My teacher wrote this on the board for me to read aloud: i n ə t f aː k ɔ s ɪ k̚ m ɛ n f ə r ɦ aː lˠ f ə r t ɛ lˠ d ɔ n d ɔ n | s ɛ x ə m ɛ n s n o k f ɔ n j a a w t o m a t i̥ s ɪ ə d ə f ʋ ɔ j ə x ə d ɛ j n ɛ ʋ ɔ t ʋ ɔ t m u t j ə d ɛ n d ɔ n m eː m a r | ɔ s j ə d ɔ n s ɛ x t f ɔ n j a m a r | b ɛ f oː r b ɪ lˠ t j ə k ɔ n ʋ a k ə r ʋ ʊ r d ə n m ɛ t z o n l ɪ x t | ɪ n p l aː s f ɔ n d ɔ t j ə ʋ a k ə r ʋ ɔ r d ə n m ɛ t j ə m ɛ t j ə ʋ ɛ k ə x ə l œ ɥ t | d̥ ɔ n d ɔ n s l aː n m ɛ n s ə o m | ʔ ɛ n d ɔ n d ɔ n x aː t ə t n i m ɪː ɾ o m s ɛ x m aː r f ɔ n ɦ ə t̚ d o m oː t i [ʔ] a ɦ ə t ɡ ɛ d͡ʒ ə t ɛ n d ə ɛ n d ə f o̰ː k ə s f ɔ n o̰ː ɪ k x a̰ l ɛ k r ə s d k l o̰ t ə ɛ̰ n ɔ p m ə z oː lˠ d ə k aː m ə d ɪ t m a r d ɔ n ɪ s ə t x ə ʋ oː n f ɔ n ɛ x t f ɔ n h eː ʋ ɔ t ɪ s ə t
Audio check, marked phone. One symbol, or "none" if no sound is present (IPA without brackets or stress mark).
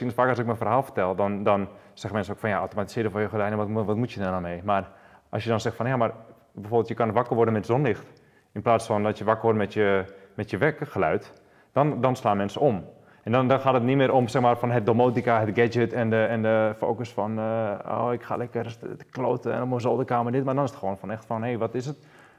k